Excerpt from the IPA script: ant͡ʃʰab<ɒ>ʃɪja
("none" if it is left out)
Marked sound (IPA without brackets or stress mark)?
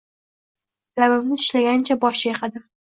ɒ